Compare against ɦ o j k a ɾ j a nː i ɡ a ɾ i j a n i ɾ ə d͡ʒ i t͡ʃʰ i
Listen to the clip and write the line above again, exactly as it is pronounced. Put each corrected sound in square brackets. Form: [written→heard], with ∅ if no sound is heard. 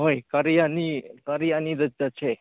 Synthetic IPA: ɦ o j k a ɾ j a [nː→n] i [ɡ→k] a ɾ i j a n i ɾ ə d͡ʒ [i→a] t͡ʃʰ [i→e]